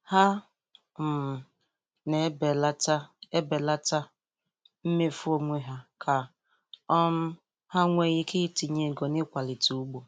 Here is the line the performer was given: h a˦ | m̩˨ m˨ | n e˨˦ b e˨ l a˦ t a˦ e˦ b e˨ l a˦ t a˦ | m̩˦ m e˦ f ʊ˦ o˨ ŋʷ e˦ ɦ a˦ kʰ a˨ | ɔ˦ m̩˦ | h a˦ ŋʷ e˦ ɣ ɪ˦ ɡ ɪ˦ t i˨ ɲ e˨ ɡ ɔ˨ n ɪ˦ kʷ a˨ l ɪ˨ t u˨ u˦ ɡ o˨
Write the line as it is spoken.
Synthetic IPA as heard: h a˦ | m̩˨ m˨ | n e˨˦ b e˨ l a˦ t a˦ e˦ b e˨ l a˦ t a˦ | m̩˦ m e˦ f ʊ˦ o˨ ŋʷ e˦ ɦ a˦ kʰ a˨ | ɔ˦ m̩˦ | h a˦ ŋʷ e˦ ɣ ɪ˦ k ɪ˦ t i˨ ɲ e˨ ɡ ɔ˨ n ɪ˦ kʷ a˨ l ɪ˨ t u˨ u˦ ɡ͡b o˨